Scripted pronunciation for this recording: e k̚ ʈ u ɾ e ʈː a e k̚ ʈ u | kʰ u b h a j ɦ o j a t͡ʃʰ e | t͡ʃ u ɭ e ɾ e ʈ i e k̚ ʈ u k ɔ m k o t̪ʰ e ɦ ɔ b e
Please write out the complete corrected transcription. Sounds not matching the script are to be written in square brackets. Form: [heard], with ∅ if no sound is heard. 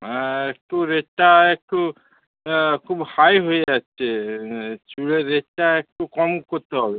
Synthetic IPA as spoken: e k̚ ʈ u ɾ e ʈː a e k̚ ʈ u | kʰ u b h a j ɦ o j a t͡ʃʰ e | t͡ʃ u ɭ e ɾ e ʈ [a] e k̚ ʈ u k ɔ m k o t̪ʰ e ɦ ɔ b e

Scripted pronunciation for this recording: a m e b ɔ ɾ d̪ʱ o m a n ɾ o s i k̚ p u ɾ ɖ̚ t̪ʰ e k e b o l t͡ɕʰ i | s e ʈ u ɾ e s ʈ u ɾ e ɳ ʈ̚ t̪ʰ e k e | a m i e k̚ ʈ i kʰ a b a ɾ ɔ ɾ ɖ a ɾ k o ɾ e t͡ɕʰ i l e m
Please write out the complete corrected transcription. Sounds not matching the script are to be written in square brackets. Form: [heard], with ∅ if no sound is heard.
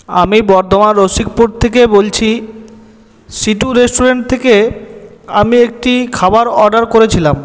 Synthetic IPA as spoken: a m [i] b ɔ ɾ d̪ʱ o m a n ɾ o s i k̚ p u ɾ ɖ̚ t̪ʰ e k e b o l t͡ɕʰ i | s [i] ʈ u ɾ e s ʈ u ɾ e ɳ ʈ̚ t̪ʰ e k e | a m i e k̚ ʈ i kʰ a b a ɾ ɔ ɾ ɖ a ɾ k o ɾ e t͡ɕʰ i l [a] m

